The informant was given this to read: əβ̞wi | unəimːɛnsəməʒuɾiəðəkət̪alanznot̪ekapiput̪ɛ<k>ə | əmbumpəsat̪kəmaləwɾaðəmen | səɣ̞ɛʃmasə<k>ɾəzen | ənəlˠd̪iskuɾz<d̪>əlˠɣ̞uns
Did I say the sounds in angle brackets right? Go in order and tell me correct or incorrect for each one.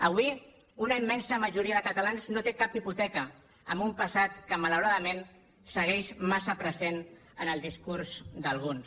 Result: correct, incorrect: p, correct

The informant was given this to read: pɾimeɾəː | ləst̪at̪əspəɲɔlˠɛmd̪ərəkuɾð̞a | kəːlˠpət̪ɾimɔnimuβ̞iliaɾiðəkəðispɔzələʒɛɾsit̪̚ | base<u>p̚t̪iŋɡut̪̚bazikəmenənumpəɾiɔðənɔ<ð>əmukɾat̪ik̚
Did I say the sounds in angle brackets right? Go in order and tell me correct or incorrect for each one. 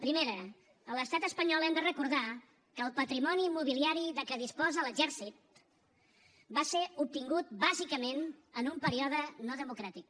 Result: correct, correct

